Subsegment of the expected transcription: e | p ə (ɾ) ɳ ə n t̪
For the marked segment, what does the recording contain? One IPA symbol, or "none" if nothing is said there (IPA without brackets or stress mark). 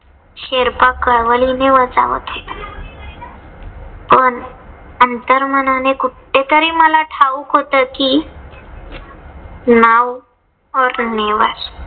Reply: none